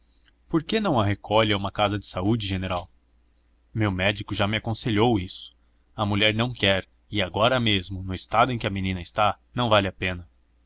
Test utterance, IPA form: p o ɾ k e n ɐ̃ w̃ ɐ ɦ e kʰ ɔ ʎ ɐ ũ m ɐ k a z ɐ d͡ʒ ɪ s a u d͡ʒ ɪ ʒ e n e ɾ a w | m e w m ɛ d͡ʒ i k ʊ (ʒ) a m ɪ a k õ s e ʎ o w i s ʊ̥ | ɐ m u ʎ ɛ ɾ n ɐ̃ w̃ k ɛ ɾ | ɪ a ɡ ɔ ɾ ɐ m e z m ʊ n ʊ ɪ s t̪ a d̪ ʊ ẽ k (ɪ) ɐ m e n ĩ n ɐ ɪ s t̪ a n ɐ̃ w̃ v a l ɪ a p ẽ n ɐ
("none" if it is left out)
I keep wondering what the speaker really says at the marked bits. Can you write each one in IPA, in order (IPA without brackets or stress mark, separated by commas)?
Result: ʒ, ɪ